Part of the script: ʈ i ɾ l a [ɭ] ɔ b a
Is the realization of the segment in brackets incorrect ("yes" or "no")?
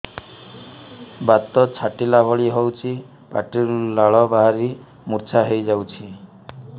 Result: no